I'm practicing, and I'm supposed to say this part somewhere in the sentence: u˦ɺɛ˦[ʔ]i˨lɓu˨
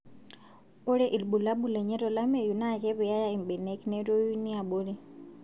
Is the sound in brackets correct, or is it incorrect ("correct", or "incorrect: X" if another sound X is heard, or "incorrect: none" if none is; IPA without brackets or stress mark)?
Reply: correct